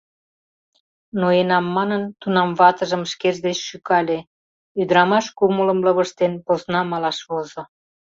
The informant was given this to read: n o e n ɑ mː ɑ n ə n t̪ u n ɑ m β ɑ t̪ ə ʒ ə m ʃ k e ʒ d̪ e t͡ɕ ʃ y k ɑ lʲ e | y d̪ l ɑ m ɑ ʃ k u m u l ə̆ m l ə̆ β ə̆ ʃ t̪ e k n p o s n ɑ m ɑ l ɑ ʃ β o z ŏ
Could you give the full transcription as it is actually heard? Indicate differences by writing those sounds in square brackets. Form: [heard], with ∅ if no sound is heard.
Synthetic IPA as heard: n o e n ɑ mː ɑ n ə n t̪ u n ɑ m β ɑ t̪ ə ʒ ə m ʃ k e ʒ d̪ e t͡ɕ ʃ y k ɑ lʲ e | y d̪ [ɾ] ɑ m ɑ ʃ k u m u l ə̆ m l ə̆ β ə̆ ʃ t̪ e [∅] n p o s n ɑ m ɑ l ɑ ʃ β o z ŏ